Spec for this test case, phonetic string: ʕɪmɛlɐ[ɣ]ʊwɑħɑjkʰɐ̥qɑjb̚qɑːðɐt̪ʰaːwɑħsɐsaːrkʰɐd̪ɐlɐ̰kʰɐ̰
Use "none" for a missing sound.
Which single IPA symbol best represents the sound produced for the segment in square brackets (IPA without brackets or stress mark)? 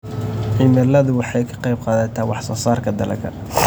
ð